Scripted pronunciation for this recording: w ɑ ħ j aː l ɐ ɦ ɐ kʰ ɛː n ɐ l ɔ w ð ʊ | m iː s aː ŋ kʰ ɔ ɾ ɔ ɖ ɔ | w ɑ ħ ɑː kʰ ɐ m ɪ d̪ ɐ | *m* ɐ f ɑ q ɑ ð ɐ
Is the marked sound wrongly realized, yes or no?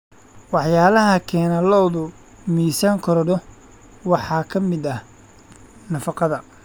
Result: yes